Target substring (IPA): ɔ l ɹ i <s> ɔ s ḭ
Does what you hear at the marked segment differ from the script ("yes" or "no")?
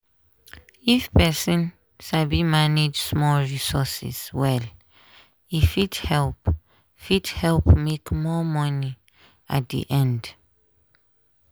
no